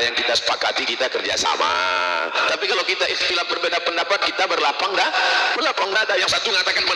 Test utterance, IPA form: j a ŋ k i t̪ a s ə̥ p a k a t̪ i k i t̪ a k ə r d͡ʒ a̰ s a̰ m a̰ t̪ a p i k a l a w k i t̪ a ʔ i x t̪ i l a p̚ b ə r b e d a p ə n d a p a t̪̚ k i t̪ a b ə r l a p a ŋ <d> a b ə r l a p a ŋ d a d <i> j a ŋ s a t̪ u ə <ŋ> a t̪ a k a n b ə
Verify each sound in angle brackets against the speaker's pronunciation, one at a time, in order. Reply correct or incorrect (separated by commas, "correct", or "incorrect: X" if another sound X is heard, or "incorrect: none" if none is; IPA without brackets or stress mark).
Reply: correct, incorrect: a, correct